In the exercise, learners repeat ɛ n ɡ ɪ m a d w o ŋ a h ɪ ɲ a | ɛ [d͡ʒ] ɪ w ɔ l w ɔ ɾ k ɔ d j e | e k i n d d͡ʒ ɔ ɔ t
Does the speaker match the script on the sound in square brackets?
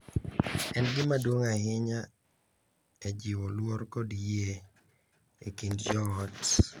yes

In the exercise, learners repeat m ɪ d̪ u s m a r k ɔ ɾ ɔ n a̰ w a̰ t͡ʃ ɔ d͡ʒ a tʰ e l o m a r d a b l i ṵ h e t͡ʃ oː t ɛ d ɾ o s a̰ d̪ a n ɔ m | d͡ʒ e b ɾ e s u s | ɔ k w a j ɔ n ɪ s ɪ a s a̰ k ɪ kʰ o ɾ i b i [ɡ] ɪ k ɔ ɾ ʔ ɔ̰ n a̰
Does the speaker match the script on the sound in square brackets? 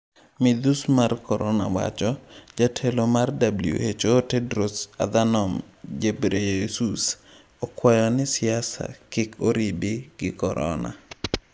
yes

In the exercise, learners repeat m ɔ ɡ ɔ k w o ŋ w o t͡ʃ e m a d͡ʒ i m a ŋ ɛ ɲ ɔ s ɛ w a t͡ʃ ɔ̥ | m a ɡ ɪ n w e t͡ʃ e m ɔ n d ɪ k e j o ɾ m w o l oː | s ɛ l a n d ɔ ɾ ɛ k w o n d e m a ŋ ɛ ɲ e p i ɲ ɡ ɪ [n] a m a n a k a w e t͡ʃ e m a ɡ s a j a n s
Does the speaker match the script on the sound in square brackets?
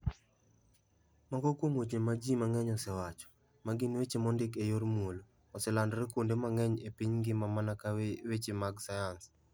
no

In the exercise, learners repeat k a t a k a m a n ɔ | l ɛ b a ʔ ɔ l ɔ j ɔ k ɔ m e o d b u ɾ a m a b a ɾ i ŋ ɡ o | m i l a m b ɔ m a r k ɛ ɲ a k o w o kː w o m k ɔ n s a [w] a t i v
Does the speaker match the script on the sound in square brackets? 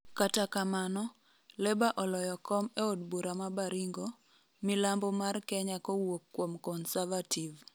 no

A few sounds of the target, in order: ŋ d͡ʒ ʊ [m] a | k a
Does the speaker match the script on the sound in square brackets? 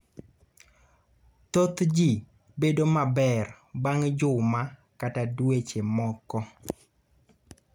yes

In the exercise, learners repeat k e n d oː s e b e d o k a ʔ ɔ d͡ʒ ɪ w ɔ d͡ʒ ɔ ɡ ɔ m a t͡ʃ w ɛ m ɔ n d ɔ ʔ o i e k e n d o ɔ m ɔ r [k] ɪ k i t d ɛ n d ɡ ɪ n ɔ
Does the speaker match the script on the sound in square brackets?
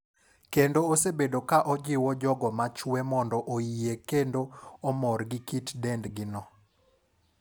no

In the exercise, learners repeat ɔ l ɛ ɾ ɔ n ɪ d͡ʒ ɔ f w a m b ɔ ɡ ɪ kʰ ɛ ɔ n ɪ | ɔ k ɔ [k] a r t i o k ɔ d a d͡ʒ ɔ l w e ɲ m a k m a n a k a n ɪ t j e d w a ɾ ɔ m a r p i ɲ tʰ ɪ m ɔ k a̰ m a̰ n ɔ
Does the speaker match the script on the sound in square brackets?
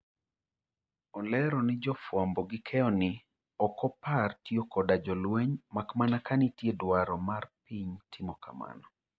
no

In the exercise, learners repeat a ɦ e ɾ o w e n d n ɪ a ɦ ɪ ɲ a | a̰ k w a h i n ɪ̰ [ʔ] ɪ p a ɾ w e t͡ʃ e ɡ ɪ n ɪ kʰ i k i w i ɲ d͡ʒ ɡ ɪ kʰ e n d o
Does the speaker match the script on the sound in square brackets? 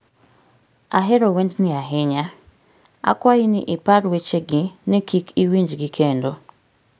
yes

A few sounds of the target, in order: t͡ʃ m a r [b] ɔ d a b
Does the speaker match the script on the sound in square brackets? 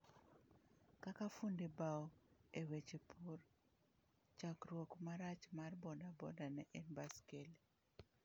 yes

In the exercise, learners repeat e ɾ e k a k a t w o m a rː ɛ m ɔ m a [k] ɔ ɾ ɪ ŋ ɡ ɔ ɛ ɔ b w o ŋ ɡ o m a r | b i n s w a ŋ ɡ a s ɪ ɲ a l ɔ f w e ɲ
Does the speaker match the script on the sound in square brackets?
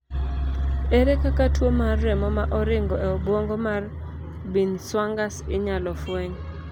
no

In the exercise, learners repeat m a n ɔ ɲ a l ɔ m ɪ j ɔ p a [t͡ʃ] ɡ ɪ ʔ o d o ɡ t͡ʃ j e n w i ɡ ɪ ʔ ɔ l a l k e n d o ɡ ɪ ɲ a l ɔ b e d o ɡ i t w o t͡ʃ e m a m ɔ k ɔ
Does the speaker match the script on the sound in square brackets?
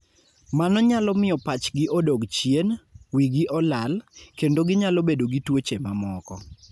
yes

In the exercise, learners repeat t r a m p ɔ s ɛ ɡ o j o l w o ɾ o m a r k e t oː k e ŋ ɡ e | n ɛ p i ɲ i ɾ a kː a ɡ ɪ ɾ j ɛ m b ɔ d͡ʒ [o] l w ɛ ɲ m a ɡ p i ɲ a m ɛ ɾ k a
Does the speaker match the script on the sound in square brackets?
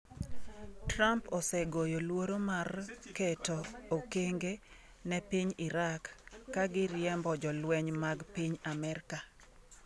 no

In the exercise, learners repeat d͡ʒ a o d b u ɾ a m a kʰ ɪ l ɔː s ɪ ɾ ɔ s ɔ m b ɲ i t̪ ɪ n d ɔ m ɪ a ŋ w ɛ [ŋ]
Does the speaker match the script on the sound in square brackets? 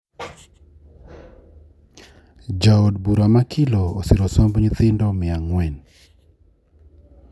no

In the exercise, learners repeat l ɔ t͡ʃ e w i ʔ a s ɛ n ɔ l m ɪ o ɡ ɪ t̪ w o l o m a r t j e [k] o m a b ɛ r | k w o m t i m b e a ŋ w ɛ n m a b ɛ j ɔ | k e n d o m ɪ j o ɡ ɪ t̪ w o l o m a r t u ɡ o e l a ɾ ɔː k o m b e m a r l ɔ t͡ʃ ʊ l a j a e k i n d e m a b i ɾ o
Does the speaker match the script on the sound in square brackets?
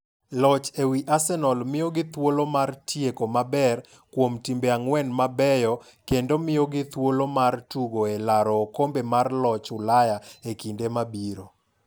yes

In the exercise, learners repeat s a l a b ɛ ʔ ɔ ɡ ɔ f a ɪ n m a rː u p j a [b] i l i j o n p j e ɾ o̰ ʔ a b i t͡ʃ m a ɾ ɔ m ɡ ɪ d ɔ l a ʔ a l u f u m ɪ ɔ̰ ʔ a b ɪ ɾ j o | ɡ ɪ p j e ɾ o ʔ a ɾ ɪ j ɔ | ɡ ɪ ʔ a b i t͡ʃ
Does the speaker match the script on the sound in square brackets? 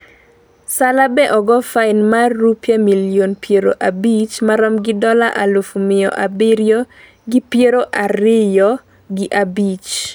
no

